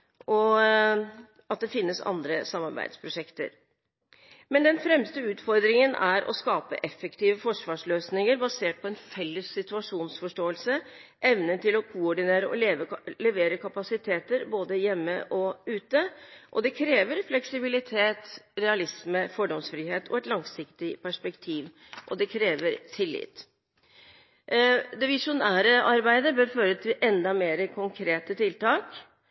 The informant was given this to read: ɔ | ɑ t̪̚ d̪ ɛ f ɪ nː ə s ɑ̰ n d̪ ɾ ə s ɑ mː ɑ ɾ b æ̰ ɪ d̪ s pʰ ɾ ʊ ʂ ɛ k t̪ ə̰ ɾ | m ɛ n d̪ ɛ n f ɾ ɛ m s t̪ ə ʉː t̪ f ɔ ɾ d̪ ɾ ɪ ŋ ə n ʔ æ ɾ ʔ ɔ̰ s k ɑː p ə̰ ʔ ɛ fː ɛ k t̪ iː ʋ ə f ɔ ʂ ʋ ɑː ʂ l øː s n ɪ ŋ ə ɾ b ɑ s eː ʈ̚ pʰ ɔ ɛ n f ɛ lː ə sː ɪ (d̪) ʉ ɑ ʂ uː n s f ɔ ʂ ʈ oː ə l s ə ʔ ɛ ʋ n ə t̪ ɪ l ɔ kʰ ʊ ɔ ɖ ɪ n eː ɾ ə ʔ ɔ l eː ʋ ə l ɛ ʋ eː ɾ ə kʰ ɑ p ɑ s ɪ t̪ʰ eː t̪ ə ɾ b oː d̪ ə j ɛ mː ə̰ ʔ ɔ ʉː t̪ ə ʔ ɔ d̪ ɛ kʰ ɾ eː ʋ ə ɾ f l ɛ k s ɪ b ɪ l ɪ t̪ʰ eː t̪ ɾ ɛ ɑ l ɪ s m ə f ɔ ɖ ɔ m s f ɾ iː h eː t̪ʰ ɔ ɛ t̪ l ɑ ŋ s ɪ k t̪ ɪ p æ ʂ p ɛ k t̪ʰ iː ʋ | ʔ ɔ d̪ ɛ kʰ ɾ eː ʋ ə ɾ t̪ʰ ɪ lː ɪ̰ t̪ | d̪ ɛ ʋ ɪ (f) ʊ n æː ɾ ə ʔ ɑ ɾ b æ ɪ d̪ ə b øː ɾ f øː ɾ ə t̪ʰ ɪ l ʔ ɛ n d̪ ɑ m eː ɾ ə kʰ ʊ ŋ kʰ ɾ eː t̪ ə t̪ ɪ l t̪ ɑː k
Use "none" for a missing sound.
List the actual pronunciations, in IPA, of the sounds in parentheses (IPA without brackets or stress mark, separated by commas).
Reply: t̪, ʂ